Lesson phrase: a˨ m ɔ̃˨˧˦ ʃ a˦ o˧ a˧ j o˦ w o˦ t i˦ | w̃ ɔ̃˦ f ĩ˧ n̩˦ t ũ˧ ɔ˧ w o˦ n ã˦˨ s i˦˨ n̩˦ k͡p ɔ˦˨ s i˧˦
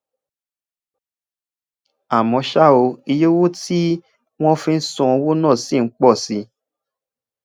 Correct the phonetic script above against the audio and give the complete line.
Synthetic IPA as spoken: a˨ m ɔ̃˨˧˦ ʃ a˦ o˧ i˧ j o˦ w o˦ t i˦ | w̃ ɔ̃˦ f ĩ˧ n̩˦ s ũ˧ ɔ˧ w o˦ n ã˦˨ s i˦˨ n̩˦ k͡p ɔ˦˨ s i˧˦

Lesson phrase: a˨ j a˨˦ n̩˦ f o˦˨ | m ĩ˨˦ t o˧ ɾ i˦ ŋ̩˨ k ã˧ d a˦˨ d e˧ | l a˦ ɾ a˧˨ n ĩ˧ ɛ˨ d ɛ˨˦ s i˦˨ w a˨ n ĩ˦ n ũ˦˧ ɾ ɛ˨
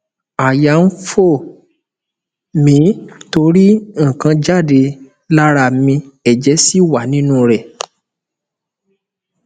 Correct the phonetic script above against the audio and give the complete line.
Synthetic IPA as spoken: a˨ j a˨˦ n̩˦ f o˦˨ | m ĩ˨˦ t o˧ ɾ i˦ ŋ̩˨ k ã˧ d͡ʒ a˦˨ d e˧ | l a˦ ɾ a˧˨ m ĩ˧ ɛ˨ d͡ʒ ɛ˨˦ s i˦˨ w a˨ n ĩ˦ n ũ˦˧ ɾ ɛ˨

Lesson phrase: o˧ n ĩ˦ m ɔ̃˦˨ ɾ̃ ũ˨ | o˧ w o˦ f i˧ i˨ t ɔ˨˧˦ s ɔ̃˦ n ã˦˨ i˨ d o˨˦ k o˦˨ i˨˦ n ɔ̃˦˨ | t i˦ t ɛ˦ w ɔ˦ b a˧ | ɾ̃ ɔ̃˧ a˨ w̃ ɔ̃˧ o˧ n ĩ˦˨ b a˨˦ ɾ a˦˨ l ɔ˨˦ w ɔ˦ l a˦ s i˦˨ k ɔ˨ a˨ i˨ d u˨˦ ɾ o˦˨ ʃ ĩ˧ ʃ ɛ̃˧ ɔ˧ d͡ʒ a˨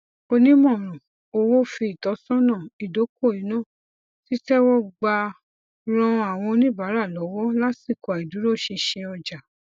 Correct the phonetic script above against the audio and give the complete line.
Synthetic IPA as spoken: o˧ n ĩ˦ m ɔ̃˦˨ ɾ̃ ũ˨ | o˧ w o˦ f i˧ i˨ t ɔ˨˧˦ s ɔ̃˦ n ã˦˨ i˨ d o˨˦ k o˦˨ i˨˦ n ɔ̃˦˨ | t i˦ t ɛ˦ w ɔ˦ ɡ͡b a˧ | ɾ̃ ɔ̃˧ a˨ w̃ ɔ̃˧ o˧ n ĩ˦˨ b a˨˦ ɾ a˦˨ l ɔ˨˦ w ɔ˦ l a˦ s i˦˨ k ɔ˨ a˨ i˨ d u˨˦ ɾ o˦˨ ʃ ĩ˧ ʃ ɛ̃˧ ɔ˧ d͡ʒ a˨

